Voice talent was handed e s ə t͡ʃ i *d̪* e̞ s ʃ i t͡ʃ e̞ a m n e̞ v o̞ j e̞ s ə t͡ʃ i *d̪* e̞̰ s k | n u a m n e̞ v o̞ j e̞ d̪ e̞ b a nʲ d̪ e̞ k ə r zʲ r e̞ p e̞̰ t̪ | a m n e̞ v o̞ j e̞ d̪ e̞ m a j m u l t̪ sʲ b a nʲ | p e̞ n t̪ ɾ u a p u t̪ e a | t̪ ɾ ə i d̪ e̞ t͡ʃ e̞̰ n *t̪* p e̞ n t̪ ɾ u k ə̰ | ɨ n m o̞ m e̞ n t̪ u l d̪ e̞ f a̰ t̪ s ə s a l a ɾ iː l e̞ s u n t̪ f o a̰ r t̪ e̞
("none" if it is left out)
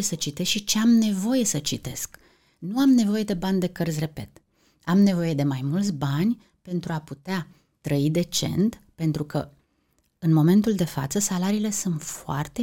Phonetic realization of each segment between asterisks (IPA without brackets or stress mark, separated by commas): t̪, t̪, t̪